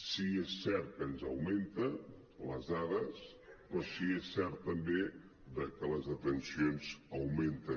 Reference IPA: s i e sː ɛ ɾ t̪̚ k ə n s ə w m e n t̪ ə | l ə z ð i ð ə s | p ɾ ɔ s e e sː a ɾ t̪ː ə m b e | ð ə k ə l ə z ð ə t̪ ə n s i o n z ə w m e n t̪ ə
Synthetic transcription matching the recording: s i e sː ɛ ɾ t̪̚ k ə n z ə w m e n t̪ ə | l ə z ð a ð ə s | p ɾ ɔ s i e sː ɛ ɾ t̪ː ə m b e | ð ə k ə l ə z ð ə t̪ ə n s i o n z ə w m e n t̪ ə